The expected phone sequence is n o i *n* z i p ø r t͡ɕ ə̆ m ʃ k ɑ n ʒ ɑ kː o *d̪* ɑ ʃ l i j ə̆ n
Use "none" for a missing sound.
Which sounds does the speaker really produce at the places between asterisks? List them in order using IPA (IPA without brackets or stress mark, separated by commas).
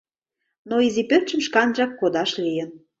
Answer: none, d̪